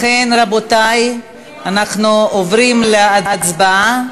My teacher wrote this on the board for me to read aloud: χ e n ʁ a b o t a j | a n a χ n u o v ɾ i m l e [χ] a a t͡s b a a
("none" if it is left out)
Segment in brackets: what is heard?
none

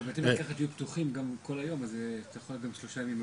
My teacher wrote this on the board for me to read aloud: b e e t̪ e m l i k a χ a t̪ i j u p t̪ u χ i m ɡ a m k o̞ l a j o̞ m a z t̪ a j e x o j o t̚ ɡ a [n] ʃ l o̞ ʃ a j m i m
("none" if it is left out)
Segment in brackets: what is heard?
m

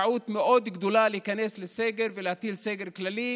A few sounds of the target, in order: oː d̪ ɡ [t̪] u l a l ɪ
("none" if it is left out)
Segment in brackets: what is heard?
d̪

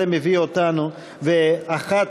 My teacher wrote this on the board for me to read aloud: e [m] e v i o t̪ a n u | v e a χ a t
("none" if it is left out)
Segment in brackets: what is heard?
m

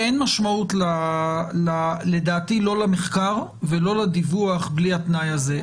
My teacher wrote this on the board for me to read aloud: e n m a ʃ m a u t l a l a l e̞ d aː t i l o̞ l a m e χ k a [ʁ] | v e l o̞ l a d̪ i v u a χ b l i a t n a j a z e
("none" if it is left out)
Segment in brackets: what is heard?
ʁ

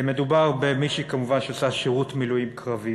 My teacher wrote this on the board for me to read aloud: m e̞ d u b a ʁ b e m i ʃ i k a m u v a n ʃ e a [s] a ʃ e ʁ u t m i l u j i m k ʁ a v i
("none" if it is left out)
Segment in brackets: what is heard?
s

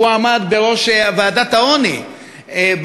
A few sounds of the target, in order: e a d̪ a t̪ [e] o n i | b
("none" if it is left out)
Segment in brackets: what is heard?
a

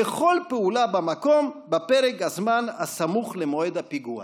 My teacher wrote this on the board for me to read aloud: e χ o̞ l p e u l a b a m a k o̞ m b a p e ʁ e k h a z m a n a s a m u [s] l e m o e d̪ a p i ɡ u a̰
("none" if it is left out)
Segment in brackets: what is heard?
χ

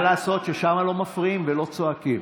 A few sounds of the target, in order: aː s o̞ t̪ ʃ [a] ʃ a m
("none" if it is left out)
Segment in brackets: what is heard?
e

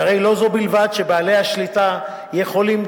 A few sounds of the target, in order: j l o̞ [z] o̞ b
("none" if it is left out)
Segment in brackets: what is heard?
z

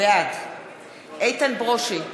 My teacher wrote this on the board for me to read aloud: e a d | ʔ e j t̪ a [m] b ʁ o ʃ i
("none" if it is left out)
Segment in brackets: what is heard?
n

